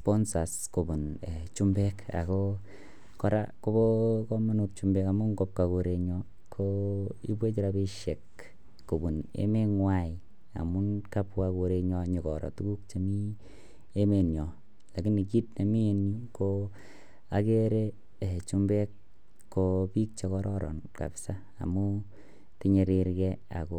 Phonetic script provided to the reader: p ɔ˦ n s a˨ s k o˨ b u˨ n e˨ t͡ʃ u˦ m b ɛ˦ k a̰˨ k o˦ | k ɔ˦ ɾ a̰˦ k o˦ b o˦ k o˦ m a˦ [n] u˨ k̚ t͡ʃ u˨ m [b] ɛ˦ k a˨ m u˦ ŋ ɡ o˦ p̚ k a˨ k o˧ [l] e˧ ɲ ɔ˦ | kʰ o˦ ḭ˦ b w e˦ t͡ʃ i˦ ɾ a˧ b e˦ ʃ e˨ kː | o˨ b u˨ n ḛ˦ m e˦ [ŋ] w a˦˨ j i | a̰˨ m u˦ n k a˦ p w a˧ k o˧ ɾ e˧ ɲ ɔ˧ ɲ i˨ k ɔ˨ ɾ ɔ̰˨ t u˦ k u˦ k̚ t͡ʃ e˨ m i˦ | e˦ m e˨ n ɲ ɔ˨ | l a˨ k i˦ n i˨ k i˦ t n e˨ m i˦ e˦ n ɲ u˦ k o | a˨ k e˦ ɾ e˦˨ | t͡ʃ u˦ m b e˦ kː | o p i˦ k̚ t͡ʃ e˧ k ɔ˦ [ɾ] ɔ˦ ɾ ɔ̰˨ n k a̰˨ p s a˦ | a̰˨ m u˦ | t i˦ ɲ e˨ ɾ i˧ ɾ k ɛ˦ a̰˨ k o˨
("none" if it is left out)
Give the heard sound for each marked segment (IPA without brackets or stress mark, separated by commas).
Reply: n, b, ɾ, ŋ, ɾ